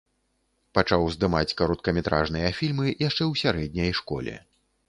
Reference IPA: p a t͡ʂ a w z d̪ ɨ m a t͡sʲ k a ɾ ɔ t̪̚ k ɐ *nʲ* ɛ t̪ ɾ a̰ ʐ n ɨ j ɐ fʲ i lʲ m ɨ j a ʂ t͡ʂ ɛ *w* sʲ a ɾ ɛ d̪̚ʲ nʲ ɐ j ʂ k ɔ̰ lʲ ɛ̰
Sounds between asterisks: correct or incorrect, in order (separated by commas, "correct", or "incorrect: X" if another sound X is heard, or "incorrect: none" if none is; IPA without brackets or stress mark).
incorrect: mʲ, correct